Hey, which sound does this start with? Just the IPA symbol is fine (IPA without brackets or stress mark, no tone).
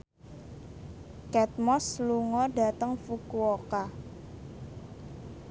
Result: k